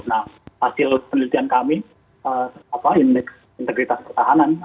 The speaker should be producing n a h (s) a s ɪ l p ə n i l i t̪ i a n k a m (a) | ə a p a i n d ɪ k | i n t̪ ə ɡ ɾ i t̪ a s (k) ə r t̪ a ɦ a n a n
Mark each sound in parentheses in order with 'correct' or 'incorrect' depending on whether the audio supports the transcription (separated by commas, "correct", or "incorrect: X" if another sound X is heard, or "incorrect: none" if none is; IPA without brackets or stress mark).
incorrect: h, incorrect: i, incorrect: p